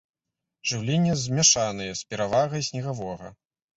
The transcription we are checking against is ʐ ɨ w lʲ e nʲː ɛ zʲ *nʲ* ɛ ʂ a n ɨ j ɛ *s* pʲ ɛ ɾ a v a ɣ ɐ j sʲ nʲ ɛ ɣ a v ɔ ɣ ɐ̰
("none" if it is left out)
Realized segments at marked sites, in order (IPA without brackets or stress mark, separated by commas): mʲ, s